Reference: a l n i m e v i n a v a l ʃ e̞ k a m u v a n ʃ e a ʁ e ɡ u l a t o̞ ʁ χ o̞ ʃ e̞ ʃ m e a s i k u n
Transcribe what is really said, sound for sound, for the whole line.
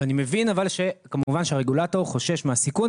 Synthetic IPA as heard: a n i m e v i n a v a l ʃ e̞ k a m u v a n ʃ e a ʁ e ɡ u l a t o̞ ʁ χ o̞ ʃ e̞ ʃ m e a s i k u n